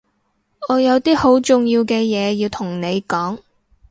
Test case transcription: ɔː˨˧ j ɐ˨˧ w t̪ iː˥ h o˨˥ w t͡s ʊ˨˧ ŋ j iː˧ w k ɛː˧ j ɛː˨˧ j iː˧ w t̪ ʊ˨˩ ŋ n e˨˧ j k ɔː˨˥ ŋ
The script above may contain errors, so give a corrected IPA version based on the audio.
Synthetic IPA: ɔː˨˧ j ɐ˨˧ w t̪ iː˥ h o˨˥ w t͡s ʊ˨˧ ŋ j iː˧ w k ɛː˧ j ɛː˨˧ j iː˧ w t̪ʰ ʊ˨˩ ŋ n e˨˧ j k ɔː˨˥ ŋ